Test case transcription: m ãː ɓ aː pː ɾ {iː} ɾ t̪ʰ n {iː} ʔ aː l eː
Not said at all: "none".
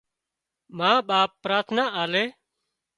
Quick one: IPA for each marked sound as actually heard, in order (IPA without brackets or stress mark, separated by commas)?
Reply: aː, aː